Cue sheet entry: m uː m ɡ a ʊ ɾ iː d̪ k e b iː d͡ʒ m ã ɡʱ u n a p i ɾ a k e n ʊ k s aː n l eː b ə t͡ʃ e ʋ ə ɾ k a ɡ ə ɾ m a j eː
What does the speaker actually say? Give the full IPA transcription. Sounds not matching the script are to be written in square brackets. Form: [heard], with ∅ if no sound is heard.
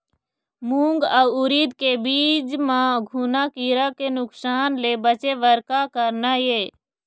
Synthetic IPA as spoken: m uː [ŋ] ɡ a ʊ ɾ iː d̪ k e b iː d͡ʒ m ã ɡʱ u n a [k] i ɾ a k e n ʊ k s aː n l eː b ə t͡ʃ e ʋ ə ɾ k a [k] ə ɾ [n] a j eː